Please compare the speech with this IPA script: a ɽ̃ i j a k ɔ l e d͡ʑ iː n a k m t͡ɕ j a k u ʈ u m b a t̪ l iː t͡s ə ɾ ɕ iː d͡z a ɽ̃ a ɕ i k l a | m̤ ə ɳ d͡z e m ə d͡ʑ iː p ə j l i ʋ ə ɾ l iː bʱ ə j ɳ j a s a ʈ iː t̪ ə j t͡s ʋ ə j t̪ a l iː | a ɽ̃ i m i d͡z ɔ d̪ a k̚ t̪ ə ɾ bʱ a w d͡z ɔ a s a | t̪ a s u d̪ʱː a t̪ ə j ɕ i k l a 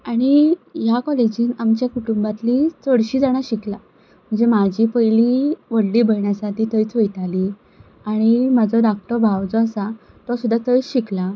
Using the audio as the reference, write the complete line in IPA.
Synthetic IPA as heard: a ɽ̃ i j a k ɔ l e d͡ʑ iː n a m t͡ɕ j a k u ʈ u m b a t̪ l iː t͡s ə ɽ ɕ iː d͡z a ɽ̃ a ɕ i k l a | m̤ ə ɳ d͡z e m a d͡ʑ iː p ə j l i ʋ ə ɽ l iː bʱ ə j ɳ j a s a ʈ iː t̪ ə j t͡s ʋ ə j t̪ a l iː | a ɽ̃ i m a d͡z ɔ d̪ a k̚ t̪ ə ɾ bʱ a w d͡z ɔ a s a | t̪ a s u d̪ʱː a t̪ ə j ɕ i k l a